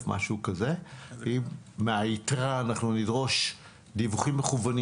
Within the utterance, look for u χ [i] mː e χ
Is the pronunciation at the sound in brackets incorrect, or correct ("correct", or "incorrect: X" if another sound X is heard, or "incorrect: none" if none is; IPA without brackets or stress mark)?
correct